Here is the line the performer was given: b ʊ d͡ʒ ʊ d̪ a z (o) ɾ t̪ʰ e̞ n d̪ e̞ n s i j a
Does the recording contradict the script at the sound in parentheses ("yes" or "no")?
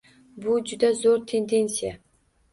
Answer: no